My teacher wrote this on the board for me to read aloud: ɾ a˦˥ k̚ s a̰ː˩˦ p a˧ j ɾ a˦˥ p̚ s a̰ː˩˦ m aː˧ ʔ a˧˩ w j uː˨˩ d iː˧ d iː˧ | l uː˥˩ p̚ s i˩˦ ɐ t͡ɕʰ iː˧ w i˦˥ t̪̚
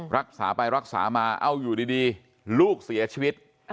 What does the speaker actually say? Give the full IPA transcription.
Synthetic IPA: ɾ a˦˥ k̚ s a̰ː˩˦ p a˧ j ɾ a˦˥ k̚ s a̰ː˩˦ m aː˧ ʔ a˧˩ w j uː˨˩ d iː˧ d iː˧ | l uː˥˩ k̚ s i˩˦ ɐ t͡ɕʰ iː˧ w i˦˥ t̪̚